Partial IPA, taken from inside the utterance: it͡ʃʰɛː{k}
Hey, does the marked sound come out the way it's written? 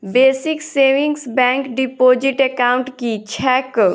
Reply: yes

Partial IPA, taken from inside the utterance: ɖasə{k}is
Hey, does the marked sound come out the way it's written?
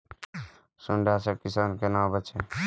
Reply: yes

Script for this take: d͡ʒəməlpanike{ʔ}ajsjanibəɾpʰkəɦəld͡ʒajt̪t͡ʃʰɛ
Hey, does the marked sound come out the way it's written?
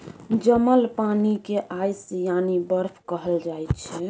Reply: yes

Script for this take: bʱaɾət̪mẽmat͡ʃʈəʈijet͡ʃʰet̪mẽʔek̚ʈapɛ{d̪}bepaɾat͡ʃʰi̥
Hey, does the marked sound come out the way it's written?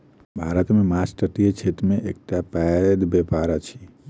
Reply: yes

